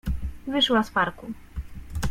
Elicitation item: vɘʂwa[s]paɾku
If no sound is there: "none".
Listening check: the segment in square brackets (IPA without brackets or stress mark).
s